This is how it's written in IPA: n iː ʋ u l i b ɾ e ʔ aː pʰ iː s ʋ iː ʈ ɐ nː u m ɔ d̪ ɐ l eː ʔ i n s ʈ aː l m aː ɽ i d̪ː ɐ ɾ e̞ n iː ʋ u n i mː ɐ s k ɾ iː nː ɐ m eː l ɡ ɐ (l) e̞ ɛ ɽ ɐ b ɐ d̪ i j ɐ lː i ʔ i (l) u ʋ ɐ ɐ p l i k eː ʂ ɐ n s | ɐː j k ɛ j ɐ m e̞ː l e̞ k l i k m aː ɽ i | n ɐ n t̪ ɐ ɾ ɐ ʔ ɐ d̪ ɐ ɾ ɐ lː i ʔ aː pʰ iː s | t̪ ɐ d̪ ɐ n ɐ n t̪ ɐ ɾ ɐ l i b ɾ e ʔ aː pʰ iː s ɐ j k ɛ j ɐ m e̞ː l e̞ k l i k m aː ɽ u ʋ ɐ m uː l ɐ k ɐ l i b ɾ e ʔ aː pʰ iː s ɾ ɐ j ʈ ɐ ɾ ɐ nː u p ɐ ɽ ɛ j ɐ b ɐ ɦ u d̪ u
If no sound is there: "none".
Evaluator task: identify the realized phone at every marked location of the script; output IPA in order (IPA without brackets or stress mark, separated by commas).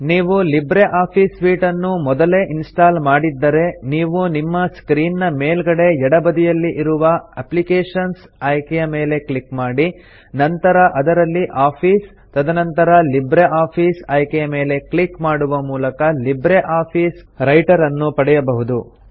ɽ, ɾ